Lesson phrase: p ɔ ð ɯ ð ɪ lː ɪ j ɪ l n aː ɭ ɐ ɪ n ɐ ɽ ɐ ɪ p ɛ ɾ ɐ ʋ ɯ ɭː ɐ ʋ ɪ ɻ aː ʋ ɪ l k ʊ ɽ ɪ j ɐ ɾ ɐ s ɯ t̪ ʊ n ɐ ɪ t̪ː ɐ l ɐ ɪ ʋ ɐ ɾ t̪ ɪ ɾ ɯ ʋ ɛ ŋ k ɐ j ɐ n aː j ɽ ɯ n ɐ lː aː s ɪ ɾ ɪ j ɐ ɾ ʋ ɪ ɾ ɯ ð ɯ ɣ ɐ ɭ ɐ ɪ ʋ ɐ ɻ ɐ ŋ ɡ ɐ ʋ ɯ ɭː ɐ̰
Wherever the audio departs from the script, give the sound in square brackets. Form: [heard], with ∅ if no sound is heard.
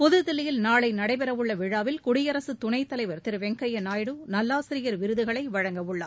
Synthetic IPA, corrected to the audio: p ɔ ð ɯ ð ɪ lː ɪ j ɪ l n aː ɭ ɐ ɪ n ɐ ɽ ɐ ɪ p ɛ ɾ ɐ ʋ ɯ ɭː ɐ ʋ ɪ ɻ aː ʋ ɪ l k ʊ ɽ ɪ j ɐ ɾ ɐ s ɯ t̪ ʊ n ɐ ɪ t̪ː ɐ l ɐ ɪ ʋ ɐ ɾ t̪ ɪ ɾ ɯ ʋ ɛ ŋ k ɐ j ɐ n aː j ɽ ɯ n ɐ lː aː s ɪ ɾ ɪ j ɐ ɾ ʋ ɪ ɾ ɯ ð ɯ ɣ ɐ ɭ ɐ ɪ ʋ ɐ ɻ ɐ ŋ ɡ ɐ ʋ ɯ ɭː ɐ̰